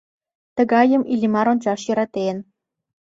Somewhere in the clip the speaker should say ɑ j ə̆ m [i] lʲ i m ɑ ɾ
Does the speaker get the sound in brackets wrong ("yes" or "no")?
no